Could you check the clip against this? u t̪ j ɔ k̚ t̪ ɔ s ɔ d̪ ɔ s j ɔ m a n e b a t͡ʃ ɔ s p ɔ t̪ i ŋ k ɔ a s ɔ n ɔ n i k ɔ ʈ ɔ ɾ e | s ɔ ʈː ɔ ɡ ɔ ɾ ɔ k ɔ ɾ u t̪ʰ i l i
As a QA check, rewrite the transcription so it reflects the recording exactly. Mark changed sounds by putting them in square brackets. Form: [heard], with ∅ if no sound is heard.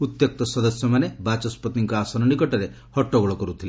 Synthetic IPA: u t̪ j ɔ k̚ t̪ ɔ s ɔ d̪ ɔ s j ɔ m a n e b a t͡ʃ ɔ s p ɔ t̪ i ŋ k ɔ a s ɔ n ɔ n i k ɔ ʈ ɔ ɾ e | [h] ɔ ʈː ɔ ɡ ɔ [ɭ] ɔ k ɔ ɾ u t̪ʰ i l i